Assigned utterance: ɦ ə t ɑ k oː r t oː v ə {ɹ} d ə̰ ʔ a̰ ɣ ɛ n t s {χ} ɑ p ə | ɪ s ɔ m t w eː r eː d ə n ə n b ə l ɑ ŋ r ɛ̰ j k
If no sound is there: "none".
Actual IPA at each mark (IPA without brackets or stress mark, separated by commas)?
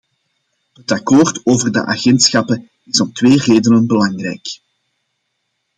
r, x